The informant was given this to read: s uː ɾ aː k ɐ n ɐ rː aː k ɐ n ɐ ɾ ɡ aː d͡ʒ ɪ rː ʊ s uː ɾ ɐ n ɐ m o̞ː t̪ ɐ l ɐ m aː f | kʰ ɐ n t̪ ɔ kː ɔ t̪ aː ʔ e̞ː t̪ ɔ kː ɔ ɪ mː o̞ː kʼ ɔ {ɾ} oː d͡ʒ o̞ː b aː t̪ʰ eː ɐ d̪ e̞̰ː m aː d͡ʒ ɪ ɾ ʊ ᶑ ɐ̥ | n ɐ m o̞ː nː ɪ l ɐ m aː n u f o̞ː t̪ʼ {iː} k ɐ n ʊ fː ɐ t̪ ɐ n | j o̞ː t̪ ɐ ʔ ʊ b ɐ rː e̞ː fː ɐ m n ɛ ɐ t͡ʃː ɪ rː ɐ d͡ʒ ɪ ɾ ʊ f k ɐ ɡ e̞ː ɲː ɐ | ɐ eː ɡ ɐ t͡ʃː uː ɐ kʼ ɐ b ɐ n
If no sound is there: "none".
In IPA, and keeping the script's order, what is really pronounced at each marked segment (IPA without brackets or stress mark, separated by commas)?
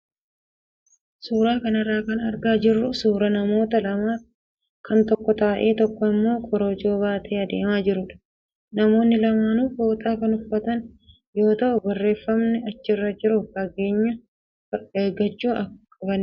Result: ɾ, aː